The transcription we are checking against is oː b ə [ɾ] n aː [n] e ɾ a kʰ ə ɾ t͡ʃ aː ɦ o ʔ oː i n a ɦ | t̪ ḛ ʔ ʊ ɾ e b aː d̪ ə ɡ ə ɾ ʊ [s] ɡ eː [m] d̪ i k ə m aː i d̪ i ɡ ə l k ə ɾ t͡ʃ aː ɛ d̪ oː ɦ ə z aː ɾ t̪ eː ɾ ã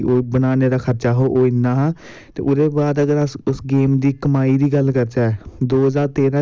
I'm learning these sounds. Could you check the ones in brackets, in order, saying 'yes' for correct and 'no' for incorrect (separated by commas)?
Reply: no, yes, yes, yes